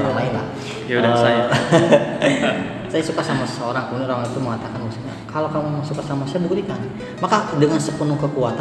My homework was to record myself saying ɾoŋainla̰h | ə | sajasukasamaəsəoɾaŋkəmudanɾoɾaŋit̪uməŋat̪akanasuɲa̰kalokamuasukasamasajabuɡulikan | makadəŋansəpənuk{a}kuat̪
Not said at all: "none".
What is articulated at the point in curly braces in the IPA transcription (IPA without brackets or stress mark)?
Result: ə